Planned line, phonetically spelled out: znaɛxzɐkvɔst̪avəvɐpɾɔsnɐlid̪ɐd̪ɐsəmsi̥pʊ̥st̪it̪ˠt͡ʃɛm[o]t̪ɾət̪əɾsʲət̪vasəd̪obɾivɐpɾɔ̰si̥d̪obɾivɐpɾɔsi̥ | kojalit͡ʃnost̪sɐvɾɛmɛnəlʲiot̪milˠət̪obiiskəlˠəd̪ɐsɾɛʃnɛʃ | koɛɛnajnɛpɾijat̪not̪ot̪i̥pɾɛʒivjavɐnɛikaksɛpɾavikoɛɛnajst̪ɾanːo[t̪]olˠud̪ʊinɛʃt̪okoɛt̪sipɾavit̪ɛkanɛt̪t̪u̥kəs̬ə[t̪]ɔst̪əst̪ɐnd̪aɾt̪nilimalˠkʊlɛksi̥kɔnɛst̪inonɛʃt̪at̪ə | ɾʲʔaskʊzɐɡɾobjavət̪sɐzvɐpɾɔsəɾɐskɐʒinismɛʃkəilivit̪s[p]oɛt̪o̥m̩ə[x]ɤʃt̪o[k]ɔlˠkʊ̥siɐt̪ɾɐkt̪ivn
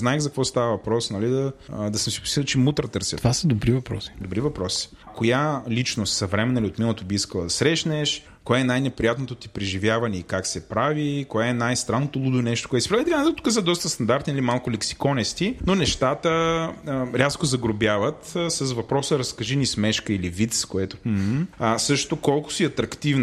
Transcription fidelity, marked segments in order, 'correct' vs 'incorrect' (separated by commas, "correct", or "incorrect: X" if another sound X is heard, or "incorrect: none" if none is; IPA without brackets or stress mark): incorrect: u, correct, incorrect: d̪, incorrect: k, incorrect: s, correct